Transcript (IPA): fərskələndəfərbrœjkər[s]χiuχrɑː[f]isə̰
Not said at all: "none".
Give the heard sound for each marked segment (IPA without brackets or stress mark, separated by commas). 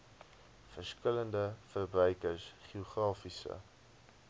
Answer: s, f